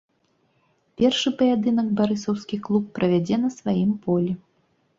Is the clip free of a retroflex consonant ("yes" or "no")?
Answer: no